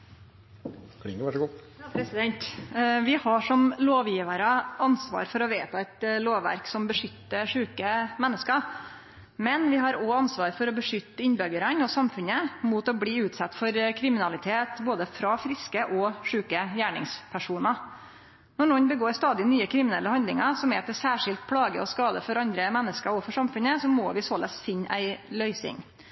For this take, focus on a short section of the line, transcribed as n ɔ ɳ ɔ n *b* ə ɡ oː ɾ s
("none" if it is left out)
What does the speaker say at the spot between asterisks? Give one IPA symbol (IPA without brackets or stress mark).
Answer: b